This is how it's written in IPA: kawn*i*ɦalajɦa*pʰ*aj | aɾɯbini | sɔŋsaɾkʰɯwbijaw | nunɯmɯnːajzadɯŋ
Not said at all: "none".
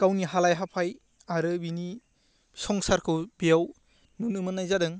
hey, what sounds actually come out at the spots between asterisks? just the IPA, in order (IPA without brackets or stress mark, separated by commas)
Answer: i, pʰ